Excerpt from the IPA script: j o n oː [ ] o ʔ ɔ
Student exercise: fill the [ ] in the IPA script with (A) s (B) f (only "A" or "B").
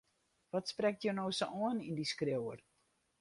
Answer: A